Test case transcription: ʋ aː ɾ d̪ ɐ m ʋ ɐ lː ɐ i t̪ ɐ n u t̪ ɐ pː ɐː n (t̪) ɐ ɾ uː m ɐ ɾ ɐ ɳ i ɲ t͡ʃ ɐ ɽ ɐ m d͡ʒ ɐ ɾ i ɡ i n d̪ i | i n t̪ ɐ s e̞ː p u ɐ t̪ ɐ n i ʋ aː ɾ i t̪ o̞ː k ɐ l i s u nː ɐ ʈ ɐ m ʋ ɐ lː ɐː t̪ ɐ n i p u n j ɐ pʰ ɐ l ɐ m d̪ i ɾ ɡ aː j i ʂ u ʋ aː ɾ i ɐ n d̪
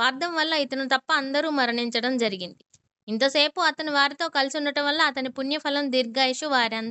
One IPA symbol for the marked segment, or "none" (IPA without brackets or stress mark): d̪